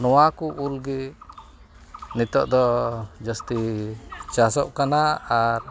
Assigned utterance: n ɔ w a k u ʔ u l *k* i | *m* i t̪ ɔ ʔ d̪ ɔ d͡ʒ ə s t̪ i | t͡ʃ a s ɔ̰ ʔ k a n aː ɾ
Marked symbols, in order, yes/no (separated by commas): no, no